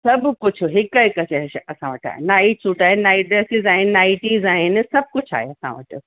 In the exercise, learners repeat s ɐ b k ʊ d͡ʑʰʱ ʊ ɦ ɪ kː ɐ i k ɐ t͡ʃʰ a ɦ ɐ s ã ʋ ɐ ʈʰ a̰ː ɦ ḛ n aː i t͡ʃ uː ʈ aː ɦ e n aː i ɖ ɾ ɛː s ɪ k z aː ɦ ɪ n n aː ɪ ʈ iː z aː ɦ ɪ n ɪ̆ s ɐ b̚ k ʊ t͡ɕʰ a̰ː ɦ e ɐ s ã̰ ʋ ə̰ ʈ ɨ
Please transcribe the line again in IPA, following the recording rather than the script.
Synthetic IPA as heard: s ɐ b k ʊ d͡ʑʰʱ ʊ ɦ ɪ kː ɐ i k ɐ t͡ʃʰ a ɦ ɐ s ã ʋ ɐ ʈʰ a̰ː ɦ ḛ n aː i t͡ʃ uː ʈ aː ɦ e n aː i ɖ ɾ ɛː s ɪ z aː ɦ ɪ n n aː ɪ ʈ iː z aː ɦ ɪ n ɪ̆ s ɐ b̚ k ʊ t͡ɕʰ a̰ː ɦ e ɐ s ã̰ ʋ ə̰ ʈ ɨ

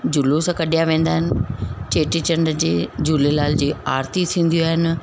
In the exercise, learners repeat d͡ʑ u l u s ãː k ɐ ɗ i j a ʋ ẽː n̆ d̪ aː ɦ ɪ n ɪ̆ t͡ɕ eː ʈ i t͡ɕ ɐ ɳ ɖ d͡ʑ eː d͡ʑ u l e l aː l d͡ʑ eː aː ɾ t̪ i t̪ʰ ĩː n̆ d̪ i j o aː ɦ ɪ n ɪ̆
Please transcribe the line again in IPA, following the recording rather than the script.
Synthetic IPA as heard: d͡ʑ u l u s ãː k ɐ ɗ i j a ʋ ẽː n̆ d̪ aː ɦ ɪ n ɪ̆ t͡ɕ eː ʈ i t͡ɕ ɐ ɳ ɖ d͡ʑ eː d͡ʑ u l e l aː l d͡ʑ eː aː ɾ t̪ i t̪ʰ ĩː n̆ d̪ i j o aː ɦ ɪ n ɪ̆

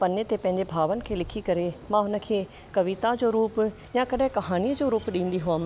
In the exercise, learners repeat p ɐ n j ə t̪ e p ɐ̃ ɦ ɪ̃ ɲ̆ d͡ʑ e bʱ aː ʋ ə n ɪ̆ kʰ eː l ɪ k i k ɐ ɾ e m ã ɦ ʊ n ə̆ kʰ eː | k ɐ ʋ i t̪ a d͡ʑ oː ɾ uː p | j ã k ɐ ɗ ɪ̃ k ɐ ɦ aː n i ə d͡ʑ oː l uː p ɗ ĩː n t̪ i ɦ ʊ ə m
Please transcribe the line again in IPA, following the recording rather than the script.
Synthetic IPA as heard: p ɐ n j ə t̪ e p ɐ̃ ɦ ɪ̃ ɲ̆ d͡ʑ e bʱ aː ʋ ə n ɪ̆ kʰ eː l ɪ kʰ i k ɐ ɾ e m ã ɦ ʊ n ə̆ kʰ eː | k ɐ ʋ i t̪ a d͡ʑ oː ɾ uː p | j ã k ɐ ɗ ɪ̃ k ɐ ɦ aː n i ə d͡ʑ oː ɾ uː p ɗ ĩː n d̪ i ɦ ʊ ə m

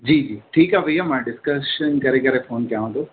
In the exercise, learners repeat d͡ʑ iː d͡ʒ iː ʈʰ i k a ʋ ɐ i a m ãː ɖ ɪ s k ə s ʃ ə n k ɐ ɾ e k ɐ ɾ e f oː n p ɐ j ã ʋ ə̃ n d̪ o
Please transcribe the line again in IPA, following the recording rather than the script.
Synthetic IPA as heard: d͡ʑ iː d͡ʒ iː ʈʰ iː k a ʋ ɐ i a m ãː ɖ ɪ s k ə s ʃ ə n k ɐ ɾ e k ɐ ɾ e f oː n k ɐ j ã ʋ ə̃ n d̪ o

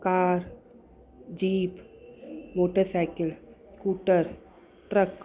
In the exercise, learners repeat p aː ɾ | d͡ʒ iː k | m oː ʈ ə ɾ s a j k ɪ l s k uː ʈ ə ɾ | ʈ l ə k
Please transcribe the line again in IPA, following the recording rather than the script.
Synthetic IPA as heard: k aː ɾ | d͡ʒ iː p | m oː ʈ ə ɾ s a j k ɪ l s k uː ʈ ə ɾ | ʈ ɾ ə k

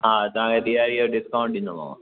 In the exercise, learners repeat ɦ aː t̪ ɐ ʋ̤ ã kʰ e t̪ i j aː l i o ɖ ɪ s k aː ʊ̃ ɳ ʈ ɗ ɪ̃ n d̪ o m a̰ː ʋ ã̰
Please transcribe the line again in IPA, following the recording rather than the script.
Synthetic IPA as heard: ɦ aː t̪ ɐ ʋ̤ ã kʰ e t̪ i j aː ɾ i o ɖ ɪ s k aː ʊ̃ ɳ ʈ ɗ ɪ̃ n d̪ o m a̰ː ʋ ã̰

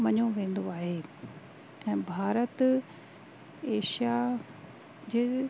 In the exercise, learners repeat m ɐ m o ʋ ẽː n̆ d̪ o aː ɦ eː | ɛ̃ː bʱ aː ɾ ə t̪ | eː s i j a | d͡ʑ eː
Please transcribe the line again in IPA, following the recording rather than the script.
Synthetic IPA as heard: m ɐ ɲ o ʋ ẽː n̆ d̪ o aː ɦ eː | ɛ̃ː bʱ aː ɾ ə t̪ | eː ʃ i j a | d͡ʑ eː

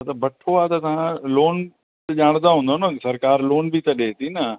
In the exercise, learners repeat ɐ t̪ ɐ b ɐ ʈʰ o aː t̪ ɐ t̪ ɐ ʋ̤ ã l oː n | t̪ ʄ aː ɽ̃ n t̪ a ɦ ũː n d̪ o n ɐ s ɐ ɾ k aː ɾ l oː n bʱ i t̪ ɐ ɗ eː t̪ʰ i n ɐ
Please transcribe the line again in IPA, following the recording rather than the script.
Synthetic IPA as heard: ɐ t̪ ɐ b ɐ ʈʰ o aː t̪ ɐ t̪ ɐ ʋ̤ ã l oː n | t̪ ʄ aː ɽ̃ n d̪ a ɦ ũː n d̪ o n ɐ s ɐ ɾ k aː ɾ l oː n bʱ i t̪ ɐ ɗ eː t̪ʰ i n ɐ

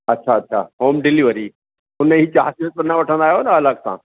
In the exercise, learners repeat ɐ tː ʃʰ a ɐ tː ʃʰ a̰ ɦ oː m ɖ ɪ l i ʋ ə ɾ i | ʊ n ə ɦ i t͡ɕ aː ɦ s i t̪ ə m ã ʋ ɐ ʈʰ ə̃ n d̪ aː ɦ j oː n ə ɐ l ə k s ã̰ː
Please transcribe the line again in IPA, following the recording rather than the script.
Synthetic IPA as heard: ɐ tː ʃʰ a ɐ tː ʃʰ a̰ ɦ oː m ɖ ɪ l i ʋ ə ɾ i | ʊ n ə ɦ i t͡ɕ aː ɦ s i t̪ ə n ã ʋ ɐ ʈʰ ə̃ n d̪ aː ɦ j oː n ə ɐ l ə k s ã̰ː

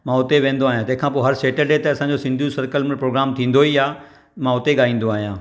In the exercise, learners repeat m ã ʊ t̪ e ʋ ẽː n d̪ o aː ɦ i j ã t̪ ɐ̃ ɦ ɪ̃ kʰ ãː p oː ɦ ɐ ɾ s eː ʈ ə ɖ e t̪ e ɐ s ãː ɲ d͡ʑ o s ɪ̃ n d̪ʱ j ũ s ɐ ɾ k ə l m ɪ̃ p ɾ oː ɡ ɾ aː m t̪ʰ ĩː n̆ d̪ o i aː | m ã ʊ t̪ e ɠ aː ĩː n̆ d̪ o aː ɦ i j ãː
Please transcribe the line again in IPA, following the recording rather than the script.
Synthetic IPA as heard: m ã ʊ t̪ e ʋ ẽː n d̪ o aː ɦ i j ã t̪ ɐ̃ ɦ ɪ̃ kʰ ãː p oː ɦ ɐ ɾ s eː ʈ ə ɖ e t̪ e ɐ s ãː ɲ d͡ʑ o s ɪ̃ n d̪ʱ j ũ s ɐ ɾ k ə l m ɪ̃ p ɾ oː ɡ ɾ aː m t̪ʰ ĩː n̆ d̪ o i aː | m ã ʊ t̪ e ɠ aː ĩː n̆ d̪ o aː ɦ i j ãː

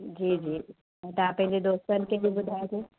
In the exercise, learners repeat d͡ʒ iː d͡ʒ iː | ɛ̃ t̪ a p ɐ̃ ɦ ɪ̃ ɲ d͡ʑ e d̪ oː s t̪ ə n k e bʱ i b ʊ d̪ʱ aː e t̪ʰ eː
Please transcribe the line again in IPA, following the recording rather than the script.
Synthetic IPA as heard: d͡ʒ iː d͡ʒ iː | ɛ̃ t̪ a p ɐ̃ ɦ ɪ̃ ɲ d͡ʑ e d̪ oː s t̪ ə n k e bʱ i b ʊ d̪ʱ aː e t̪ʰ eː

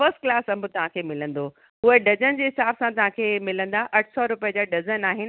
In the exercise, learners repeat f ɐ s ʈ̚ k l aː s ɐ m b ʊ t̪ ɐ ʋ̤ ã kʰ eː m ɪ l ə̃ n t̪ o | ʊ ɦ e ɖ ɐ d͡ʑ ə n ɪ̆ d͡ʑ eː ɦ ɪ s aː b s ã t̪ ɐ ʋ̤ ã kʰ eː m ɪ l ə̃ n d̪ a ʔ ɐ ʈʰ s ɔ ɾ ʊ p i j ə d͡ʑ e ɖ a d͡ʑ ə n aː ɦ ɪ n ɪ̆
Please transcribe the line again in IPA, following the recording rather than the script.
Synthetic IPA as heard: f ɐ s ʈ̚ k l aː s ɐ m b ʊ t̪ ɐ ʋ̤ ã kʰ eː m ɪ l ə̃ n d̪ o | ʊ ɦ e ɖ ɐ d͡ʑ ə n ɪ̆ d͡ʑ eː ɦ ɪ s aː b s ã t̪ ɐ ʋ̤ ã kʰ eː m ɪ l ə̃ n d̪ a ʔ ɐ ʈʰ s ɔ ɾ ʊ p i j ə d͡ʑ a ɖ ɐ d͡ʑ ə n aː ɦ ɪ n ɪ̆

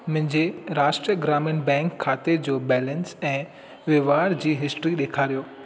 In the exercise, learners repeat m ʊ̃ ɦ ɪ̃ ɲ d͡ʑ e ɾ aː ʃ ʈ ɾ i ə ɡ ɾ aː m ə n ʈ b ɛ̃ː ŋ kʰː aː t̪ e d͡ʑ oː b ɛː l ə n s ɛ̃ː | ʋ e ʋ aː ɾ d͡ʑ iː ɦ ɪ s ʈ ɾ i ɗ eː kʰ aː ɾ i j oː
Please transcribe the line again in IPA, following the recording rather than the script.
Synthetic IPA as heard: m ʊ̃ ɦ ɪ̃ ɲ d͡ʑ e ɾ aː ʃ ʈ ɾ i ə ɡ ɾ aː m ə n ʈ b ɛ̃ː ŋ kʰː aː t̪ e d͡ʑ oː b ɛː l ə n s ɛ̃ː | ʋ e ʋ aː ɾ d͡ʑ iː ɦ ɪ s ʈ ɾ i ɗ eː kʰ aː ɾ i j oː

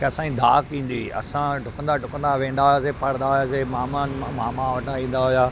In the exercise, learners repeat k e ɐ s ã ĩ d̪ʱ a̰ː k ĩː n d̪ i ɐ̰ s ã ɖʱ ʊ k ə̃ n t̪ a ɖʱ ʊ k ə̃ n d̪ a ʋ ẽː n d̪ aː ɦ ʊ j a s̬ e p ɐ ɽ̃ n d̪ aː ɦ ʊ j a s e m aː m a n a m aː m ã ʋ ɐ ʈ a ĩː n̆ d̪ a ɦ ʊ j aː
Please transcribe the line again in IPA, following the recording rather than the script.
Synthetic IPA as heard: k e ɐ s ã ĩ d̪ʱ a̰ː k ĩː n d̪ i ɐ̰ s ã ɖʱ ʊ k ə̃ n d̪ a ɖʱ ʊ k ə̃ n d̪ a ʋ ẽː n d̪ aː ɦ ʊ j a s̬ e p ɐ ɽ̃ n d̪ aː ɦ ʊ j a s e m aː m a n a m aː m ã ʋ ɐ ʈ a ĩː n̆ d̪ a ɦ ʊ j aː

